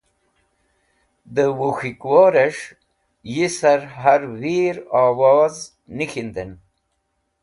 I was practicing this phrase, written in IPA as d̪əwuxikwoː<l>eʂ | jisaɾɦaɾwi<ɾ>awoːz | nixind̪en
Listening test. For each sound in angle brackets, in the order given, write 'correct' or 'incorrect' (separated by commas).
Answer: incorrect, correct